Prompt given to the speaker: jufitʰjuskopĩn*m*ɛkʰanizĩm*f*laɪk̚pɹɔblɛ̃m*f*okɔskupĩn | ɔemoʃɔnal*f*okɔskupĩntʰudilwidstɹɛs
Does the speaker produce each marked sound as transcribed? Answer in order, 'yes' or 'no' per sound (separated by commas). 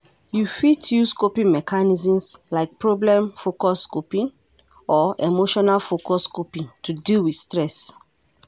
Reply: yes, no, yes, yes